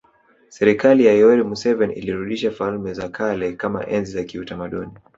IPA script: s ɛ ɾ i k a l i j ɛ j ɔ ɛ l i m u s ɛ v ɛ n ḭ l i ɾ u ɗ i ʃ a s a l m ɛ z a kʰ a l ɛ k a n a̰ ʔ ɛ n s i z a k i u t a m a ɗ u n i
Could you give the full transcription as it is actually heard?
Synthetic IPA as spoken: s ɛ ɾ i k a l i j a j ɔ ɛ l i m u s ɛ v ɛ n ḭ l i ɾ u ɗ i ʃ a f a l m ɛ z a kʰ a l ɛ k a m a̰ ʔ ɛ n z i z a k i u t a m a ɗ u n i